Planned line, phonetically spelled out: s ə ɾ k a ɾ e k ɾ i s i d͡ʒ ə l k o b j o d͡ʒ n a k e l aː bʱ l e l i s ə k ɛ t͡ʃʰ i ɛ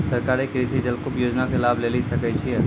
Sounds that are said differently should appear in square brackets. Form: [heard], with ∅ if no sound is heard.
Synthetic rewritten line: s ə ɾ k a ɾ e k ɾ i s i d͡ʒ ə l k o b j o d͡ʒ n a k e l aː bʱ l e l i s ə k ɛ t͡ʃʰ i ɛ

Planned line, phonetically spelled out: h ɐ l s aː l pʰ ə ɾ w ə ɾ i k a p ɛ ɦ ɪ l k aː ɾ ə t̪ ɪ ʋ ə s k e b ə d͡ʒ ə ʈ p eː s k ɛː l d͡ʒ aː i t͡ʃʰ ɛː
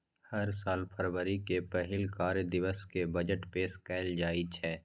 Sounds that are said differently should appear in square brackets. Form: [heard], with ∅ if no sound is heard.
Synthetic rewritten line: h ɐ [ɾ] s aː l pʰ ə ɾ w ə ɾ i k [e] p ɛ ɦ ɪ l k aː ɾ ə [d̪] ɪ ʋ ə s k e b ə d͡ʒ ə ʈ p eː s k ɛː l d͡ʒ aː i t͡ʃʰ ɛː

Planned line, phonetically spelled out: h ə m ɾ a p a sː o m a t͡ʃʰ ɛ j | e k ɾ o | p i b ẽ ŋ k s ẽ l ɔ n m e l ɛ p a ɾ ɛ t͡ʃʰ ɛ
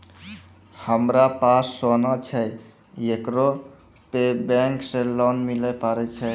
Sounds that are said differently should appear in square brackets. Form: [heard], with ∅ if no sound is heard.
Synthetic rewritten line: h ə m ɾ a p a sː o [n] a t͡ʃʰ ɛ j | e k ɾ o | p [e] b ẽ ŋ k s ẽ l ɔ n m [i] l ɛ p a ɾ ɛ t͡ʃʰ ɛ

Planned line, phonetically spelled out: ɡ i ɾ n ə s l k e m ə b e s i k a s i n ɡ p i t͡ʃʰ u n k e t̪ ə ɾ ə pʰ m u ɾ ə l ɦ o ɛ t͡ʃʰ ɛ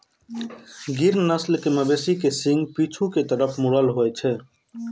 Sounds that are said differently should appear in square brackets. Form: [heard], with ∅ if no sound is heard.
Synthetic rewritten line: ɡ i ɾ n ə s l k e m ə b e s i k [e] s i [ŋ] ɡ p i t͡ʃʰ u [∅] k e t̪ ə ɾ ə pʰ m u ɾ ə l ɦ o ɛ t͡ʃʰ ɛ

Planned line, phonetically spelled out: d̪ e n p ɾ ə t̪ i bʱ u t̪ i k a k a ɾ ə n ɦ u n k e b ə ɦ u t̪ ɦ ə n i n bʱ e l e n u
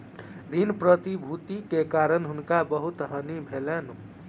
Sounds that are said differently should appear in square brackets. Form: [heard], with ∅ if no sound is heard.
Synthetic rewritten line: d̪ [i] n p ɾ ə t̪ i bʱ u t̪ i k [e] k a ɾ ə n ɦ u n k [a] b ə ɦ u t̪ ɦ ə n i [∅] bʱ e l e n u

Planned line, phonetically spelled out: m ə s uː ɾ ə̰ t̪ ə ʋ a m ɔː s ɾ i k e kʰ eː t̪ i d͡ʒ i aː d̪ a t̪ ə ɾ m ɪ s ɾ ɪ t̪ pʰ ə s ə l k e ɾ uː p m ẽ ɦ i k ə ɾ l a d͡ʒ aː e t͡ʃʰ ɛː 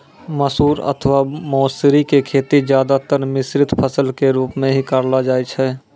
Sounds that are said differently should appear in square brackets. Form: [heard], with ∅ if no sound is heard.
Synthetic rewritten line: m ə s uː ɾ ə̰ [t̪ʰ] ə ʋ a m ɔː s ɾ i k e kʰ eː t̪ i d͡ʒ [j] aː d̪ a t̪ ə ɾ m ɪ s ɾ ɪ t̪ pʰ ə s ə l k e ɾ uː p m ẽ ɦ i k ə ɾ l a d͡ʒ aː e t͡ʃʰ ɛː

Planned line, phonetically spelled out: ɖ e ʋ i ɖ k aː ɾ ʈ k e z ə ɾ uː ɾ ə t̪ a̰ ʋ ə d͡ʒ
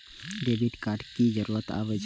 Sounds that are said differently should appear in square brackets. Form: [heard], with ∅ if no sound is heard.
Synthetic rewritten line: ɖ e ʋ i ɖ k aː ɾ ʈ k [i] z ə ɾ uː ɾ ə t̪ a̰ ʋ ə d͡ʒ

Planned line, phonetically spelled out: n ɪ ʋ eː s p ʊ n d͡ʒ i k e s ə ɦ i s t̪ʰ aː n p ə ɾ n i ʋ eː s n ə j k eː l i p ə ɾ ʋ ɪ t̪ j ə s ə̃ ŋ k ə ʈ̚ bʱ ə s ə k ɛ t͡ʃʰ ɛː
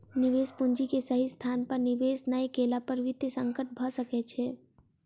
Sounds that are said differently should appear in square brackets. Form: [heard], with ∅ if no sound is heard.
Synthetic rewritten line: n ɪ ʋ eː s p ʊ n d͡ʒ i k e s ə ɦ i s t̪ʰ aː n p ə ɾ n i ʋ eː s n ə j k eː l [a] p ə ɾ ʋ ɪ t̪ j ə s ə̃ ŋ k ə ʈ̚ bʱ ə s ə k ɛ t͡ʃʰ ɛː

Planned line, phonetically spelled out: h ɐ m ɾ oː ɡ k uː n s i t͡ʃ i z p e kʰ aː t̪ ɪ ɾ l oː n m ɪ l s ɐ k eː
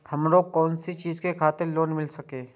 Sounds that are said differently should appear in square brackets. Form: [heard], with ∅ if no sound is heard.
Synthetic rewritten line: h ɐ m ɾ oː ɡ k [ɔː] n s i t͡ʃ [iː] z [k] e kʰ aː t̪ ɪ ɾ l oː n m ɪ l s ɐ k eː

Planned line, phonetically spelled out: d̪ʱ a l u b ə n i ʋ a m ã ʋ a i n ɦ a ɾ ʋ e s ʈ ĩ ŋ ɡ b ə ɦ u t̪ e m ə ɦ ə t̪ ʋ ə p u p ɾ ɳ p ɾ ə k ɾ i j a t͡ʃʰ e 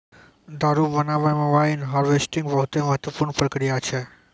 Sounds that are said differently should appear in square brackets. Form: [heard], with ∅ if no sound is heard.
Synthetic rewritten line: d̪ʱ a [ɾ] u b ə n [a] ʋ a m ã ʋ a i n ɦ a ɾ ʋ e s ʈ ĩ ŋ ɡ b ə ɦ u t̪ e m ə ɦ ə t̪ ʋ ə p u [∅] ɾ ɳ p ɾ ə k ɾ i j a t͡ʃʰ e

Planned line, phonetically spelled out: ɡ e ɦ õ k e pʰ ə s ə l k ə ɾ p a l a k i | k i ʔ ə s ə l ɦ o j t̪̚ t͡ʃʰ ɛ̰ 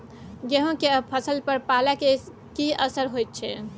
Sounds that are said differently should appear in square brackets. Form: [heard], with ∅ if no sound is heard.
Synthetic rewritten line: ɡ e ɦ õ k e pʰ ə s ə l [p] ə ɾ p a l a k [e] | k i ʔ ə s ə [ɾ] ɦ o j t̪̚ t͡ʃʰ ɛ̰

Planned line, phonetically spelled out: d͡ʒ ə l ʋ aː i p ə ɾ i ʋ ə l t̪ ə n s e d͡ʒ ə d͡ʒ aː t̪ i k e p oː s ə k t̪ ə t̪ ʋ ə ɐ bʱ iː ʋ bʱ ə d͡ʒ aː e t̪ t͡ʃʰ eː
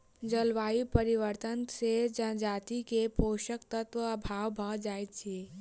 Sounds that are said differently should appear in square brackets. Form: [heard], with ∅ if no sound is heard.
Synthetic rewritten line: d͡ʒ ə l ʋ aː i p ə ɾ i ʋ ə [ɾ] t̪ ə n s e d͡ʒ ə d͡ʒ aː t̪ i k e p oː [ʃ] ə k t̪ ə t̪ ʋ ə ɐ bʱ [aː] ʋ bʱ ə d͡ʒ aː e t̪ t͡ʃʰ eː

